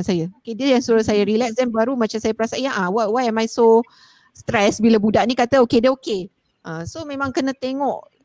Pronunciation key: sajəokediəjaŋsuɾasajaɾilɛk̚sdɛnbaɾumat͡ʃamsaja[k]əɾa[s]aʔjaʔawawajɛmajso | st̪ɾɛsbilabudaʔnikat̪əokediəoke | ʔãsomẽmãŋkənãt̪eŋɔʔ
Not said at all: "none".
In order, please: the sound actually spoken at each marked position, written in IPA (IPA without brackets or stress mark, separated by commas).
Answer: p, s